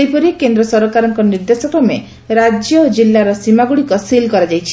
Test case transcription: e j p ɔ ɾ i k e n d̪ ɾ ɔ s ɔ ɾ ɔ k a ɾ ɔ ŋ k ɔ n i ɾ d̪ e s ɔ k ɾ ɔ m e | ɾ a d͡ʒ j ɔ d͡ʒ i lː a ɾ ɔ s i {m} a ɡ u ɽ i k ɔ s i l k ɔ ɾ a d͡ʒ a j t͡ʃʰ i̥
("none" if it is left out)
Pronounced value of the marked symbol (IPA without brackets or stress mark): m